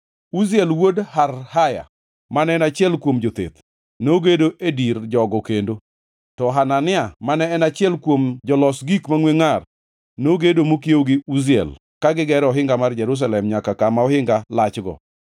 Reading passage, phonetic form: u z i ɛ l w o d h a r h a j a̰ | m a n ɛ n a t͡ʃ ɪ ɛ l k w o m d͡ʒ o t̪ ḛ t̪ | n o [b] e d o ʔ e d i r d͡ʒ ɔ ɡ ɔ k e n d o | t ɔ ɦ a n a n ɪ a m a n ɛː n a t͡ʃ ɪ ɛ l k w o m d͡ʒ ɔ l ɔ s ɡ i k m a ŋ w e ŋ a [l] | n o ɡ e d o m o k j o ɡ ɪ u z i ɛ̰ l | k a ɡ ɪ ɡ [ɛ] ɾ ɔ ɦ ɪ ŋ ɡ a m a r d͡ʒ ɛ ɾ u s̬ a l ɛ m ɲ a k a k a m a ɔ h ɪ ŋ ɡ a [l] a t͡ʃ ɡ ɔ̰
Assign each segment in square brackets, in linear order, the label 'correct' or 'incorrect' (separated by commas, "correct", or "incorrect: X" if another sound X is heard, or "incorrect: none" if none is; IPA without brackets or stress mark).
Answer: incorrect: ɡ, incorrect: r, correct, correct